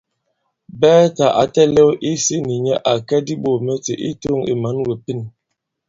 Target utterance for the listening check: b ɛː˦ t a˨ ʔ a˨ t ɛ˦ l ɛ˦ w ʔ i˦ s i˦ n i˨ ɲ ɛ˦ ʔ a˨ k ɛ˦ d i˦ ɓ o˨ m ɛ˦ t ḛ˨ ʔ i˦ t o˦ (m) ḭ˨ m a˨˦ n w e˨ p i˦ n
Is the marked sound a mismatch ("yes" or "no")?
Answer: yes